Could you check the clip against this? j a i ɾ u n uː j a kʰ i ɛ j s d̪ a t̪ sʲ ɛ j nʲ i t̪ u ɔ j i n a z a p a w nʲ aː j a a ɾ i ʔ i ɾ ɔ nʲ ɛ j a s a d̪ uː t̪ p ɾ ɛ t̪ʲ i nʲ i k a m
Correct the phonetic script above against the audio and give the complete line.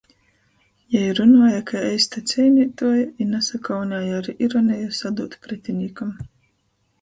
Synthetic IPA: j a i ɾ u n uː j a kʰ a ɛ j s t̪ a t̪ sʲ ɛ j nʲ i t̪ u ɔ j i n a s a k a w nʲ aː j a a ɾ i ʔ i ɾ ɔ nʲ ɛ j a s a d̪ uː t̪ p ɾ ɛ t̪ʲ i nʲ i k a m